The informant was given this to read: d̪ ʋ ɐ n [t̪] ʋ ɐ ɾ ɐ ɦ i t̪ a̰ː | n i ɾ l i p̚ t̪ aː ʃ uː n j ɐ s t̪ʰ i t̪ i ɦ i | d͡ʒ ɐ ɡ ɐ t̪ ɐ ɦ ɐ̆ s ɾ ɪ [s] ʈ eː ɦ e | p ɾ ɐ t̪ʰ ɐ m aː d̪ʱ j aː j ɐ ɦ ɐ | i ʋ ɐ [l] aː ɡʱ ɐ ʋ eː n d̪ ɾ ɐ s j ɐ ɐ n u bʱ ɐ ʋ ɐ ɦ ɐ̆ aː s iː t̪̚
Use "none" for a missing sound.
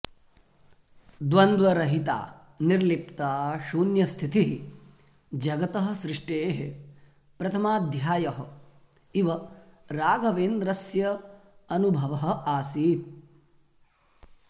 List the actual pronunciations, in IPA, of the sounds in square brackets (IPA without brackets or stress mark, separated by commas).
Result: d̪, ʂ, ɾ